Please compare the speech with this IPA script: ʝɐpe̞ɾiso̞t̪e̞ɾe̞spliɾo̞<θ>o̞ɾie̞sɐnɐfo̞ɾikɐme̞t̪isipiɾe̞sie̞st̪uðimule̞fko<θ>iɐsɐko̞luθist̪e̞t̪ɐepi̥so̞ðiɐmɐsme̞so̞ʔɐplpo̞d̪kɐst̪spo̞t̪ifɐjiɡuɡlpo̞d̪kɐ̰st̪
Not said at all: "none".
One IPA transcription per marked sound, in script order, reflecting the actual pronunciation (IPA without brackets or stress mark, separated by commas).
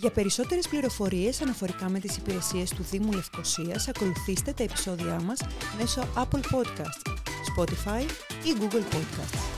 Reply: f, s